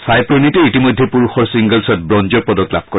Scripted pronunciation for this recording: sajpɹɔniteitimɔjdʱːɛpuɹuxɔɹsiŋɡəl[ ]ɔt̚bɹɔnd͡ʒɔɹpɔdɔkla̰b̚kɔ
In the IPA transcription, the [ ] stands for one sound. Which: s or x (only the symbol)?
s